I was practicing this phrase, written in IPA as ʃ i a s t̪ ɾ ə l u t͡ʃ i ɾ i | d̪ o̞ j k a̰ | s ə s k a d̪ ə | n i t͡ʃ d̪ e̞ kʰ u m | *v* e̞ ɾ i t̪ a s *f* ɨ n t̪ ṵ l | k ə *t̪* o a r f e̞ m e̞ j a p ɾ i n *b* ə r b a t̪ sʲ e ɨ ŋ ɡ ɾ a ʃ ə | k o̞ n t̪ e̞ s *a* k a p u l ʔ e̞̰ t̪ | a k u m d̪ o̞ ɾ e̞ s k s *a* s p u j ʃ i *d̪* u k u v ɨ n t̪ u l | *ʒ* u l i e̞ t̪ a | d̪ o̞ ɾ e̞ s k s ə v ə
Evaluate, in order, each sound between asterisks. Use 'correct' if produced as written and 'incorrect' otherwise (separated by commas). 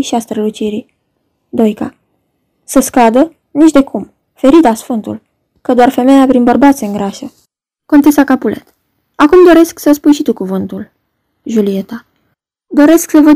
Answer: incorrect, correct, incorrect, correct, correct, incorrect, incorrect, correct